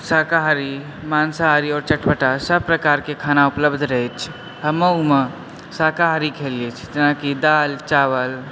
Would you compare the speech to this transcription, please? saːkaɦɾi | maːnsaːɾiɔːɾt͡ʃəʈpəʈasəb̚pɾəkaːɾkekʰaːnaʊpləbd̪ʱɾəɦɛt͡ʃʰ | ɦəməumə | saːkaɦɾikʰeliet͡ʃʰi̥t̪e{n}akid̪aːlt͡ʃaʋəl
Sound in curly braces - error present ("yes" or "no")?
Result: no